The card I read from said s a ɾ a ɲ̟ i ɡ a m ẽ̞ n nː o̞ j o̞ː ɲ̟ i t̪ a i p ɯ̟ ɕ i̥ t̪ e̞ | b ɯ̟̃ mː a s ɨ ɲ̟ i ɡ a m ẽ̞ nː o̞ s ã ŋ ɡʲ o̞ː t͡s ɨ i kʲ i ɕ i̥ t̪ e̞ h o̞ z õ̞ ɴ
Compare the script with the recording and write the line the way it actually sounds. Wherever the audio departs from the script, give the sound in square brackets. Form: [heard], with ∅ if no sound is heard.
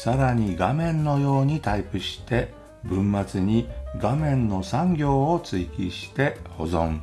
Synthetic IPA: s a ɾ a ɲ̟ i ɡ a m ẽ̞ n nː o̞ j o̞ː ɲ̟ i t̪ a i p ɯ̟ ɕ i̥ t̪ e̞ | b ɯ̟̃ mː a [t͡s] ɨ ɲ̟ i ɡ a m ẽ̞ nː o̞ s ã ŋ ɡʲ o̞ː t͡s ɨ i kʲ i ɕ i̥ t̪ e̞ h o̞ z õ̞ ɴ